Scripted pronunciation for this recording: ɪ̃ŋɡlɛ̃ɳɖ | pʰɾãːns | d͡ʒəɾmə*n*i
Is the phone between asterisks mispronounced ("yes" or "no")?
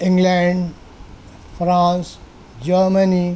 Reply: no